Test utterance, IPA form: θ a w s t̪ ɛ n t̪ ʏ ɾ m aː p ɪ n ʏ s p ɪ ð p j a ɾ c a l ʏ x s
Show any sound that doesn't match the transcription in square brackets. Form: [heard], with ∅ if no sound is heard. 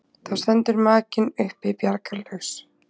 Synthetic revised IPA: θ a w s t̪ ɛ n t̪ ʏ ɾ m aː [c] ɪ n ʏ [h] p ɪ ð p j a ɾ [k] a l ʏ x s